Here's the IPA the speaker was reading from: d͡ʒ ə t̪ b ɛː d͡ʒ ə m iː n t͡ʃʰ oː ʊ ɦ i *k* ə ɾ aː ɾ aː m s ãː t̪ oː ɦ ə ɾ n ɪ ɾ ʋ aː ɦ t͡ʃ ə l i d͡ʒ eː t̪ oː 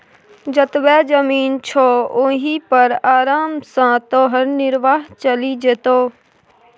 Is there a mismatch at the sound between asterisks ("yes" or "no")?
yes